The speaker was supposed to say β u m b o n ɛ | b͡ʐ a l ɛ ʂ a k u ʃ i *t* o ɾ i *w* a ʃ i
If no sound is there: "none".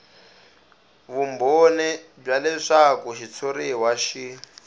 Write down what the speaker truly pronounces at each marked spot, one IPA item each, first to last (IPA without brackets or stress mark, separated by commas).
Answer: t͡sʰ, w